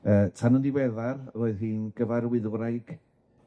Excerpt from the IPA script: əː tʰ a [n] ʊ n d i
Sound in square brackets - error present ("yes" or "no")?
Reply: no